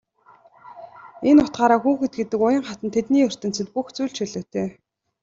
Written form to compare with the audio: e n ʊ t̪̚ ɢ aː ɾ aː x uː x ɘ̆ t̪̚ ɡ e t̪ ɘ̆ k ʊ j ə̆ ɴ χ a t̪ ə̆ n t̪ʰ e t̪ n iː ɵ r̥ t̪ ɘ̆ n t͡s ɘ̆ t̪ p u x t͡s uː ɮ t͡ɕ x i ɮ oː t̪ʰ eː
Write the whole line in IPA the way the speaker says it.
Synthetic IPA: e n ʊ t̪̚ ɢ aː ɾ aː x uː x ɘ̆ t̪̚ ɡ e t̪ ɘ̆ k ʊ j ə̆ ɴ χ a t̪ ə̆ n t̪ʰ e t̪ n iː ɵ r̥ t̪ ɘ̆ n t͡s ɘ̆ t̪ p u x t͡s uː ɮ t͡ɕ ʃ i ɮ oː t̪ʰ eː